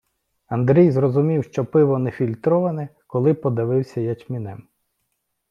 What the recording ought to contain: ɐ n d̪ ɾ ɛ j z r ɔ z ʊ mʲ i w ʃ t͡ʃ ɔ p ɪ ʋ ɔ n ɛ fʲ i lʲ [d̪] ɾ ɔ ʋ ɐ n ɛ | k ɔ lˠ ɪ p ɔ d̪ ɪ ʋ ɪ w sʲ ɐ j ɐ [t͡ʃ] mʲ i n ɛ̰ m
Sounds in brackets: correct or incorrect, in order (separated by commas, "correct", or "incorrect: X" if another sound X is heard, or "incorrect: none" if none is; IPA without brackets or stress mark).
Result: incorrect: t̪, correct